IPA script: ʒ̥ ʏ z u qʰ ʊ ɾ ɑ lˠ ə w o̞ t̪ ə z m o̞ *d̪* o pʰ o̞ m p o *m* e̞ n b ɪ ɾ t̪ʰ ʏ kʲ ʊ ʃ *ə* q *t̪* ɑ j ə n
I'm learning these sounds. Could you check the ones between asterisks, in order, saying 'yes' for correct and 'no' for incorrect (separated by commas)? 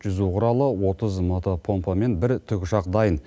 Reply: no, yes, no, no